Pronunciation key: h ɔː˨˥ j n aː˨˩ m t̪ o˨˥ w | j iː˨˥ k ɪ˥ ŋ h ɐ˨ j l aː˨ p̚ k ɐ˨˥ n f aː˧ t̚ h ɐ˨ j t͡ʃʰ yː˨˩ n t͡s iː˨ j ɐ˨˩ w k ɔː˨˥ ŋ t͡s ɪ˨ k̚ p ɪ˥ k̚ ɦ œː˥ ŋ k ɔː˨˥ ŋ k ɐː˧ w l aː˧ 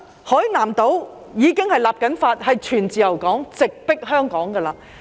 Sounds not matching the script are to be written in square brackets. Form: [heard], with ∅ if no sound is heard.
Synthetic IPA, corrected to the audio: h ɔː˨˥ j n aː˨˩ m t̪ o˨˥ w | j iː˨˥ k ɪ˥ ŋ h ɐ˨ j l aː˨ p̚ k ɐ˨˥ n f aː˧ t̚ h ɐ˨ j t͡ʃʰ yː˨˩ n t͡s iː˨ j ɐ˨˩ w k ɔː˨˥ ŋ t͡s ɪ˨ k̚ p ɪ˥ k̚ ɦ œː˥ ŋ k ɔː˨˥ ŋ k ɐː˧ [∅] l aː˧